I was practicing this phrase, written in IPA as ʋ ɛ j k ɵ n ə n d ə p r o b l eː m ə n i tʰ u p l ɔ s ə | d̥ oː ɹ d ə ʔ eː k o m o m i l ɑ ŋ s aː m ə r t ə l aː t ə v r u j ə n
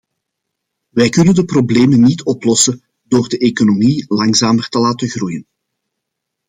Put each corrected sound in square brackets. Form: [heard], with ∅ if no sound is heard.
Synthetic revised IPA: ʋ ɛ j k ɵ n ə n d ə p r o b l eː m ə n i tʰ [ɔ] p l ɔ s ə | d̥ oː [r] d ə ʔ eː k o [n] o m i l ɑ ŋ [z] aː m ə r t ə l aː t ə [ɣ] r u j ə n